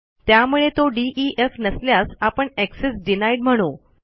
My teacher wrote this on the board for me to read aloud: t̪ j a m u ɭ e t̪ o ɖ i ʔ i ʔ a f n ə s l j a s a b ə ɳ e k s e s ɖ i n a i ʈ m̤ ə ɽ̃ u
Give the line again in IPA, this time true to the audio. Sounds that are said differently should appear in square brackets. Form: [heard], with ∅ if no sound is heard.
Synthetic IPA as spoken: t̪ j a m u ɭ e t̪ o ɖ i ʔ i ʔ [e] f n ə s l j a s a [p] ə ɳ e k s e s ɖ i n a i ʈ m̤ ə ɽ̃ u